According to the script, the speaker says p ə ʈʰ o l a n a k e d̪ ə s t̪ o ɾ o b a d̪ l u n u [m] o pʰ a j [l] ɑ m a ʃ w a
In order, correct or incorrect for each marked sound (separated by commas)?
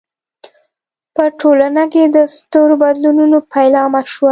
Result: incorrect, correct